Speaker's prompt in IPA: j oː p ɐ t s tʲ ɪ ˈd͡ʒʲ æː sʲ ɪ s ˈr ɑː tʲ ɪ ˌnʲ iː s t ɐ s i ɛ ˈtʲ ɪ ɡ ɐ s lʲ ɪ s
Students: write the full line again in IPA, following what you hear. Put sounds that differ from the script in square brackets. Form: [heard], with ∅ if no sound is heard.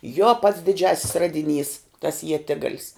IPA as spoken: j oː p ɐ t s [dʲ] ɪ ˈd͡ʒʲ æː sʲ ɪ s ˈr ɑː [dʲ] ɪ ˌnʲ iː s t ɐ s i ɛ ˈtʲ ɪ ɡ ɐ [∅] lʲ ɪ s